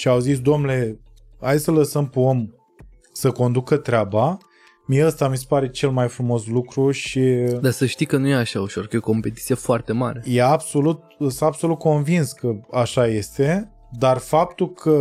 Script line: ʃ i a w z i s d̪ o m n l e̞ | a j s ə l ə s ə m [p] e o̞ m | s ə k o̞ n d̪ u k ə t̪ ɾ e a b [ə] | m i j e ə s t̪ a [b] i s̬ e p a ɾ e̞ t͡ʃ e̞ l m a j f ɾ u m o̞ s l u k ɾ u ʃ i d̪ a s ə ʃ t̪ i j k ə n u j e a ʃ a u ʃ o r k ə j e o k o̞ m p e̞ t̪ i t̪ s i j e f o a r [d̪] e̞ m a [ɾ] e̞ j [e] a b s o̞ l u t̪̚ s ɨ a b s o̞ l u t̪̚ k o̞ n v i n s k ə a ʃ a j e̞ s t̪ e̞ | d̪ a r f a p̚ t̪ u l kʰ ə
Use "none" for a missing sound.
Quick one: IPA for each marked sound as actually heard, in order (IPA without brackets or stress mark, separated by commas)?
p, a, m, t̪, ɾ, e